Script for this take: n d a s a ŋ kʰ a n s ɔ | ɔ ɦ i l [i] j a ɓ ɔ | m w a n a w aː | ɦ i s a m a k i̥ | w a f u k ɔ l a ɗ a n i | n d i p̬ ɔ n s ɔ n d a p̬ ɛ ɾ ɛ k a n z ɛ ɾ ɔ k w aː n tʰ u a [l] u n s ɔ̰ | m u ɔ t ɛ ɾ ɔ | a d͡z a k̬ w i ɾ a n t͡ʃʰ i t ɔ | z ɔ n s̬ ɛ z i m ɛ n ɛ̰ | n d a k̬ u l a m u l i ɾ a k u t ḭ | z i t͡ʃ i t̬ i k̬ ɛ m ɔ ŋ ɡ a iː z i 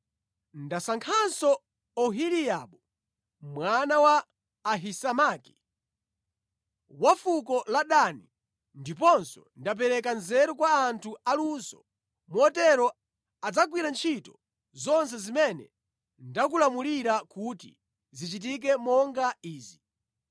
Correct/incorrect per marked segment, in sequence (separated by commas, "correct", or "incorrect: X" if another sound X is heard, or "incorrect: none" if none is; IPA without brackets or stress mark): correct, correct